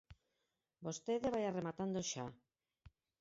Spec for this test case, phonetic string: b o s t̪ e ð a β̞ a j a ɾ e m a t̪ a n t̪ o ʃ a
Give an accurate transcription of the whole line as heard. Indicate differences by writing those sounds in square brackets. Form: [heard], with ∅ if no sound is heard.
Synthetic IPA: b o s t̪ e ð [e] β̞ a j a [r] e m a t̪ a n [d̪] o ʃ a

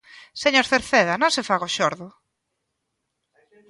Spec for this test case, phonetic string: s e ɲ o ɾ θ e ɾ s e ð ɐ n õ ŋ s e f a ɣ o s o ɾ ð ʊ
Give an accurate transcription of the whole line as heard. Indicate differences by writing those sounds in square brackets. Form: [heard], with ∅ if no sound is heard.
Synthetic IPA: s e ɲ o ɾ θ e ɾ [θ] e ð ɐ n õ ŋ s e f a ɣ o [ʃ] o ɾ ð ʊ

